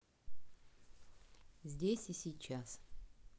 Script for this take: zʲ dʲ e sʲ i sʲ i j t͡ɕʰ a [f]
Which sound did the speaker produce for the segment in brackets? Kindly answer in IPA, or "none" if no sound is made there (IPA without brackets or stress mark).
s